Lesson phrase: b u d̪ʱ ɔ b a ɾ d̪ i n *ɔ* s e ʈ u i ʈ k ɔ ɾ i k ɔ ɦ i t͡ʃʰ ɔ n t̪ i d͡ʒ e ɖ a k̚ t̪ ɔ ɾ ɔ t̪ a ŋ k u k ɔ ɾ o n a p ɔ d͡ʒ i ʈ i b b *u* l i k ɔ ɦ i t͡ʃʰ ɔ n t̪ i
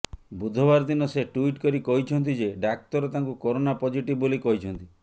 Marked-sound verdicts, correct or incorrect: correct, incorrect: o

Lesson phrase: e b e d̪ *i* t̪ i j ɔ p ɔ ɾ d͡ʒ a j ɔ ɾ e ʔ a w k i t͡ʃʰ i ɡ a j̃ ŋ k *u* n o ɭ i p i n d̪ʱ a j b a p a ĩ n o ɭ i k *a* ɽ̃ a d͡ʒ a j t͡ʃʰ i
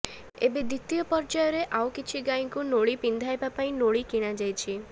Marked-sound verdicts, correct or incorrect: correct, correct, incorrect: i

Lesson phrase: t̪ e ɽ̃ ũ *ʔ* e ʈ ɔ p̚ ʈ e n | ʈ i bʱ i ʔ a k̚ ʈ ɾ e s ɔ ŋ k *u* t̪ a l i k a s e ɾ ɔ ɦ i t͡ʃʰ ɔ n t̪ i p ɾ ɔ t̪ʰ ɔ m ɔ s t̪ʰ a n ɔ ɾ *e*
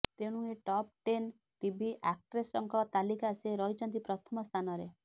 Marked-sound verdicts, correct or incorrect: incorrect: none, incorrect: ɔ, correct

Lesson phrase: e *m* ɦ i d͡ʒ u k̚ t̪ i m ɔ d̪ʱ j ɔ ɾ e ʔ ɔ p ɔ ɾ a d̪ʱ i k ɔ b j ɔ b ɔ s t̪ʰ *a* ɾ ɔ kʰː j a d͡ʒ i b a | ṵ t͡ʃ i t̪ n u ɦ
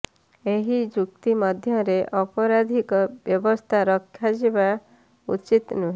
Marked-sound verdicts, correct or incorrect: incorrect: none, correct

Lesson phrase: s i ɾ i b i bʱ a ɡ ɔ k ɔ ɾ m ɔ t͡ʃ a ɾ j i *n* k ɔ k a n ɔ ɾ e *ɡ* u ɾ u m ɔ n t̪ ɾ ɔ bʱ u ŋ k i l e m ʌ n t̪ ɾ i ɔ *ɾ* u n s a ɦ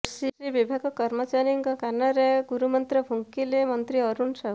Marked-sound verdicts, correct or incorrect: incorrect: ŋ, correct, correct

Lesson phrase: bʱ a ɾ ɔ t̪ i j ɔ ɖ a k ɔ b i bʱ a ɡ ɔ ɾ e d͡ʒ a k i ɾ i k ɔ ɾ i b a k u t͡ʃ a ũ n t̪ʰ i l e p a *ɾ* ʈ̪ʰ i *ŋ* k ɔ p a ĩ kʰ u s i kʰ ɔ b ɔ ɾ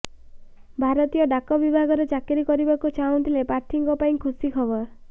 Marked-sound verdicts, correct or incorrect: correct, correct

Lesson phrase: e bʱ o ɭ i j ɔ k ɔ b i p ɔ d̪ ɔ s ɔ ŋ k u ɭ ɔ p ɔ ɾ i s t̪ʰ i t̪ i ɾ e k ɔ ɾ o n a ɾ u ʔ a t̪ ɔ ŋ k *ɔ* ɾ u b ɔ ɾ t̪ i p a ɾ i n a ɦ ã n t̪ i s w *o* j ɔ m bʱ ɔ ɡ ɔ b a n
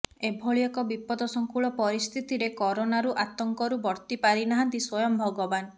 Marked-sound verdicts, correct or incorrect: correct, incorrect: ɔ

